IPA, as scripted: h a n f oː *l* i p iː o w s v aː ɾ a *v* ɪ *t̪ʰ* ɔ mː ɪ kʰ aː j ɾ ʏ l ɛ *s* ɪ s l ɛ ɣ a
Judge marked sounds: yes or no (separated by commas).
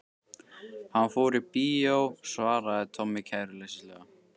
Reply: no, no, yes, yes